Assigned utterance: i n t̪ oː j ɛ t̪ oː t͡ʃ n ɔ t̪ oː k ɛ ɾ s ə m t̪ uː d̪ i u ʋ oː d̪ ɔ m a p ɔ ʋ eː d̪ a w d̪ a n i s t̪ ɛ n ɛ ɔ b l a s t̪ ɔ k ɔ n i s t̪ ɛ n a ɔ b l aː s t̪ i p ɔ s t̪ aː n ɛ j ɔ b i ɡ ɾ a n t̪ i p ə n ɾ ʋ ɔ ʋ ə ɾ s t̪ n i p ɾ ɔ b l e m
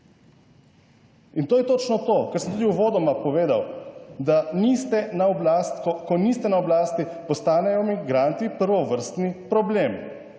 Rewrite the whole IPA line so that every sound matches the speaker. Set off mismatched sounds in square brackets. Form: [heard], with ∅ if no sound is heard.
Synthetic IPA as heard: i n t̪ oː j ɛ t̪ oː t͡ʃ n ɔ t̪ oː k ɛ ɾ s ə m t̪ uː d̪ i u ʋ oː d̪ ɔ m a p ɔ ʋ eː d̪ a w d̪ a n i s t̪ ɛ n [a] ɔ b l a s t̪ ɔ k ɔ n i s t̪ ɛ n a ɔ b l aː s t̪ i p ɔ s t̪ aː n ɛ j ɔ [m] i ɡ ɾ a n t̪ i p ə [∅] ɾ ʋ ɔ ʋ ə ɾ s t̪ n i p ɾ ɔ b l e m